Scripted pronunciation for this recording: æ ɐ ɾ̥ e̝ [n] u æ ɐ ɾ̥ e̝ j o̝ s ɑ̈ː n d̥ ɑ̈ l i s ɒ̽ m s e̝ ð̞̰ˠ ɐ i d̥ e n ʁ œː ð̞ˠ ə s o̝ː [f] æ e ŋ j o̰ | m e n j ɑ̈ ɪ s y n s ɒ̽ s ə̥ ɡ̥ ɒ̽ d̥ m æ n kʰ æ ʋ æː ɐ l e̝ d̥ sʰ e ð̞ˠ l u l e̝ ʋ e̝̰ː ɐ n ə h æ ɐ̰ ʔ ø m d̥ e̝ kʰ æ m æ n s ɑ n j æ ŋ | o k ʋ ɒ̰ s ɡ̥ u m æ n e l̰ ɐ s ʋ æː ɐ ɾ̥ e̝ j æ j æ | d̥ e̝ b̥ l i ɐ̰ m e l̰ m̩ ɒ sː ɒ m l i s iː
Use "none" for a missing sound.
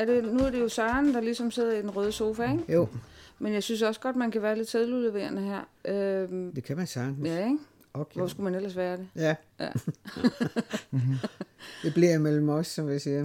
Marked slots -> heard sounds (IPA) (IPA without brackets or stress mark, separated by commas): n, f